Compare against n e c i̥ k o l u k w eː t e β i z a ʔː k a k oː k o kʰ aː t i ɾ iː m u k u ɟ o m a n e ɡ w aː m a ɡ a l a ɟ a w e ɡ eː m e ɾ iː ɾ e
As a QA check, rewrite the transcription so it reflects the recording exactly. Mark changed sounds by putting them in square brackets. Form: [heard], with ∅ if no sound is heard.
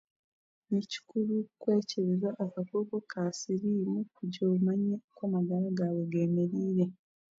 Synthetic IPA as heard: n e c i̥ k [u] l u k w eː [c] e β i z a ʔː k a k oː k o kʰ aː [s] i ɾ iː m u k u ɟ o m a [ɲ] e [k] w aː m a ɡ a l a [ɡ] a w e ɡ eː m e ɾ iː ɾ e